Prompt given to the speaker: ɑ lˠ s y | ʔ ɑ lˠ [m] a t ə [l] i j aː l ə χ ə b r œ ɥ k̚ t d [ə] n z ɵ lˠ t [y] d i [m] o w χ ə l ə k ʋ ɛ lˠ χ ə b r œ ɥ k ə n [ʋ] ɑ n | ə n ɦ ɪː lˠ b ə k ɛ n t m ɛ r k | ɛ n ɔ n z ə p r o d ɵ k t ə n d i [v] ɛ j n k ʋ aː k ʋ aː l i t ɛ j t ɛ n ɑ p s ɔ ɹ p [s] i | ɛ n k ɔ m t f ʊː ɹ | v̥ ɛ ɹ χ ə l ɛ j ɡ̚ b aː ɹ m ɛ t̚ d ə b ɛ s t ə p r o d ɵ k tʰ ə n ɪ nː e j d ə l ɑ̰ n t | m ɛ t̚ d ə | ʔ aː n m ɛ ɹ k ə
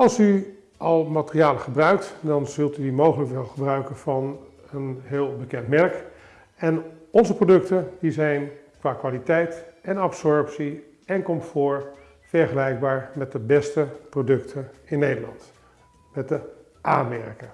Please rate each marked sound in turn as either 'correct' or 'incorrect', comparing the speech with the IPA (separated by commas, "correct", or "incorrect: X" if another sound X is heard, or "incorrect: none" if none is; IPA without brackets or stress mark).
correct, incorrect: r, incorrect: ɑ, correct, correct, incorrect: v, incorrect: z, correct